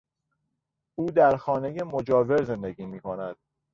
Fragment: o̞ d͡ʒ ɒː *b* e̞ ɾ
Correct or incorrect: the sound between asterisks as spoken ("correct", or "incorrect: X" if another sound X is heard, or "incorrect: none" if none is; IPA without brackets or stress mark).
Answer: incorrect: v